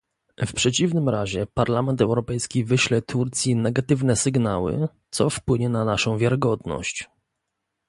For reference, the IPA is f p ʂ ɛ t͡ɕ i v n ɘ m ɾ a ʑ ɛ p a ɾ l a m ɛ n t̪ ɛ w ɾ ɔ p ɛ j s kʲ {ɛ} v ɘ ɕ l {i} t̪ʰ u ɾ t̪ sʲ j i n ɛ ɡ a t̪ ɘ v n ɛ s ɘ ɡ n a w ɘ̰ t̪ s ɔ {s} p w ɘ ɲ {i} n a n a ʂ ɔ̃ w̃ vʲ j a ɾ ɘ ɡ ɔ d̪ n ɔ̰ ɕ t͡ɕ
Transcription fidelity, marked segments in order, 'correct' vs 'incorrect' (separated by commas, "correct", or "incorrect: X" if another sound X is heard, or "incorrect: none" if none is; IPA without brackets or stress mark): incorrect: i, incorrect: ɛ, incorrect: f, incorrect: ɛ